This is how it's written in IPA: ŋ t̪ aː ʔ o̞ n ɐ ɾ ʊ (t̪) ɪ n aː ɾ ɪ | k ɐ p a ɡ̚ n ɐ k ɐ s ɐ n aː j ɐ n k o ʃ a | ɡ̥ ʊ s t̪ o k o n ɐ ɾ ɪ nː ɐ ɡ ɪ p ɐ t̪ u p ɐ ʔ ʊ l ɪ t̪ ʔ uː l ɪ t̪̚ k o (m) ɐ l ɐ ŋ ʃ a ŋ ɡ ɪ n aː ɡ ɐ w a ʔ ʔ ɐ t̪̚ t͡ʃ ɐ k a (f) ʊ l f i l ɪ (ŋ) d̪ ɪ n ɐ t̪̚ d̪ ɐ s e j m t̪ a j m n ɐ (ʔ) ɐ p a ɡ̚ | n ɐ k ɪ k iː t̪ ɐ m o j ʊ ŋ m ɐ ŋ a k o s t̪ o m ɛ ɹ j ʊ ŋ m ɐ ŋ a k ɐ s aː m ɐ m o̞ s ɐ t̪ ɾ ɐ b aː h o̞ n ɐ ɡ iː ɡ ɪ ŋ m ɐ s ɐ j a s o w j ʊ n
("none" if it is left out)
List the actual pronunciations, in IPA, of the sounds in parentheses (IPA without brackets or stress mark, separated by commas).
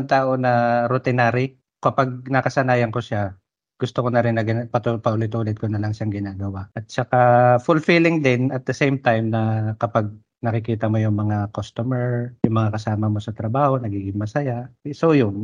t̪, n, f, ŋ, k